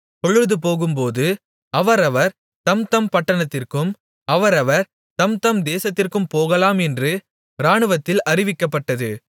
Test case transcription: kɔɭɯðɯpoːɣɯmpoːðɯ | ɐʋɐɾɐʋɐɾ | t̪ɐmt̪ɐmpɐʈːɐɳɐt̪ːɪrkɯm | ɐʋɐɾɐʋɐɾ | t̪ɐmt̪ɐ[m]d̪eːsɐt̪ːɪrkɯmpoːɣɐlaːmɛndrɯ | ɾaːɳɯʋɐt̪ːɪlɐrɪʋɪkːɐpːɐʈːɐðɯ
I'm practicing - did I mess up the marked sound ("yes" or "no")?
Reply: no